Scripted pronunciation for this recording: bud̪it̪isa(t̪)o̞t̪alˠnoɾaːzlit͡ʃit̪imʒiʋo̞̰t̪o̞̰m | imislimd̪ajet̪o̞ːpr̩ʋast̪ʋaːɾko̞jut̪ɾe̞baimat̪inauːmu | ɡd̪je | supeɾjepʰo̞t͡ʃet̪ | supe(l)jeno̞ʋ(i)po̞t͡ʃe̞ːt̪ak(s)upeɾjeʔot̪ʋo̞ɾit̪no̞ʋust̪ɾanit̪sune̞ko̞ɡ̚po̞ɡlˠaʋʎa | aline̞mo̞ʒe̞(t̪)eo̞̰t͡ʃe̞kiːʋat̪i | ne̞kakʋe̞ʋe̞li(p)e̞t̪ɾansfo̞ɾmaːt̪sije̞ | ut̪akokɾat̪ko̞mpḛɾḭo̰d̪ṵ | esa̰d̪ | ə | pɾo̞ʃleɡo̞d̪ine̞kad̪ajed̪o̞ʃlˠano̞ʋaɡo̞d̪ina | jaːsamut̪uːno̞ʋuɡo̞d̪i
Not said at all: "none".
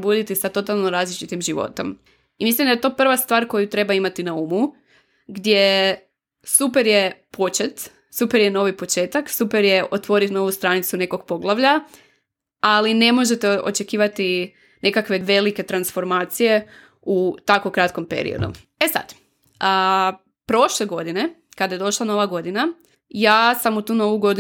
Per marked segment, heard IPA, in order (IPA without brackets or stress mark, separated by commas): t̪, ɾ, i, s, t̪, k